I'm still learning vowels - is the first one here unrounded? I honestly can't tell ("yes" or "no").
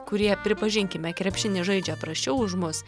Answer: no